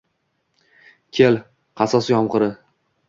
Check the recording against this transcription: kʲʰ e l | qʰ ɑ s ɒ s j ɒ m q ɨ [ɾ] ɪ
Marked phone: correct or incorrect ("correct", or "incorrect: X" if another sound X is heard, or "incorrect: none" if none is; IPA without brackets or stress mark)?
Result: correct